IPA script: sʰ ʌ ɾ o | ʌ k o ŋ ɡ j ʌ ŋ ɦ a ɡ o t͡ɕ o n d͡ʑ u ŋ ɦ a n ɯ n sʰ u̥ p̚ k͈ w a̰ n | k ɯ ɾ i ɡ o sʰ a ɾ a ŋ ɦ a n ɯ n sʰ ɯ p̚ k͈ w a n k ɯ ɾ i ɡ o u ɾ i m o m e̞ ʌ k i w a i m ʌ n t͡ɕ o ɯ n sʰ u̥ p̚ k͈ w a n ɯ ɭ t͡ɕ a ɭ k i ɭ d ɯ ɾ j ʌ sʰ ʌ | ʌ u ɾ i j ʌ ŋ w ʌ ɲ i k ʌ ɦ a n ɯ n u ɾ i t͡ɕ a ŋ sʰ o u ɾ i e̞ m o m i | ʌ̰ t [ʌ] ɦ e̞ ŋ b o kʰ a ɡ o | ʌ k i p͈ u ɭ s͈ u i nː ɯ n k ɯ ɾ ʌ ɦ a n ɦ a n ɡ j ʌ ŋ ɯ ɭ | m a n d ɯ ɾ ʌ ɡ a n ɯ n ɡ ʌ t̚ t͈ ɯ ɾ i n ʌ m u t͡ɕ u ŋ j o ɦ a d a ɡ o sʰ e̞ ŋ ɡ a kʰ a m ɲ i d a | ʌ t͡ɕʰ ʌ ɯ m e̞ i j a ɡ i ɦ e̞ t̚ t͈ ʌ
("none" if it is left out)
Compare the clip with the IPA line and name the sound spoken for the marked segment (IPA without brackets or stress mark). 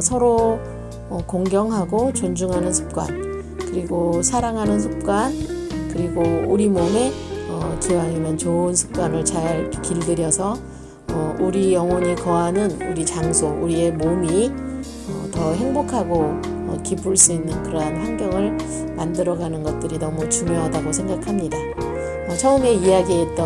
ʌ